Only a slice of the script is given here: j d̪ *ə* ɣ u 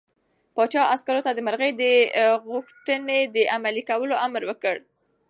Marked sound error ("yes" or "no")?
no